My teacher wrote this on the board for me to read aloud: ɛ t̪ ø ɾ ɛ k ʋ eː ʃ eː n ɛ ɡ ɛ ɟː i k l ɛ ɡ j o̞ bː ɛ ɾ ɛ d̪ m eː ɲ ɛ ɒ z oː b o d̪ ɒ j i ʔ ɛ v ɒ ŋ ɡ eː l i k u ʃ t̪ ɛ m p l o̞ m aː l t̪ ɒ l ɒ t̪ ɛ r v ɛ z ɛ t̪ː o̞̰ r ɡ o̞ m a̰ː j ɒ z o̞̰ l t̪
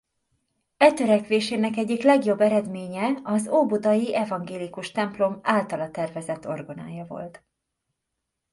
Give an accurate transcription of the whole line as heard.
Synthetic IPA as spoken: ɛ t̪ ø ɾ ɛ k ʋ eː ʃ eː n ɛ k ɛ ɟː i k l ɛ ɡ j o̞ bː ɛ ɾ ɛ d̪ m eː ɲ ɛ ɒ z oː b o d̪ ɒ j i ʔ ɛ v ɒ ŋ ɡ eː l i k u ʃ t̪ ɛ m p l o̞ m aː l t̪ ɒ l ɒ t̪ ɛ r v ɛ z ɛ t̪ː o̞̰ r ɡ o̞ n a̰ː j ɒ v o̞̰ l t̪